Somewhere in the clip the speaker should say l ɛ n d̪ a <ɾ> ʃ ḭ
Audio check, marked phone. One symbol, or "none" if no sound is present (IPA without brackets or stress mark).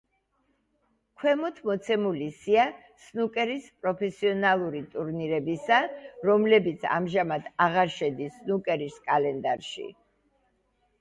ɾ